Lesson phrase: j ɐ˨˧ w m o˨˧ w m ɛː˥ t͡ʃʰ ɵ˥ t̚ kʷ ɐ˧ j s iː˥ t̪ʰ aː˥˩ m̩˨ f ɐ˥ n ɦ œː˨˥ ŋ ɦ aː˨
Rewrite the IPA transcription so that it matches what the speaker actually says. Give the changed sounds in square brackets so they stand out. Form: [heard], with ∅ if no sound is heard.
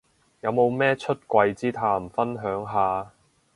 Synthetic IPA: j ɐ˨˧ w m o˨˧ w m ɛː˥ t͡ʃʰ ɵ˥ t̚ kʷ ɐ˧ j [t͡s] iː˥ t̪ʰ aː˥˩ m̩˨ f ɐ˥ n ɦ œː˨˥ ŋ ɦ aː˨